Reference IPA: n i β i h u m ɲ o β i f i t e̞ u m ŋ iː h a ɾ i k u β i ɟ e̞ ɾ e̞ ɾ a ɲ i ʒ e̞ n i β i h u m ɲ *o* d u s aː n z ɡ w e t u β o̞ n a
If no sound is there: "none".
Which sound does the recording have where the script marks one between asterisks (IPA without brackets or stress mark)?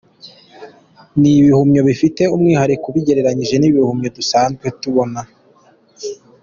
o